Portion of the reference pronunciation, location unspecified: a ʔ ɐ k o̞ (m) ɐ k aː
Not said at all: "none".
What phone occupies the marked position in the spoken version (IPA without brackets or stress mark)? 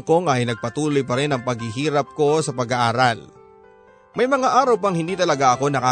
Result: n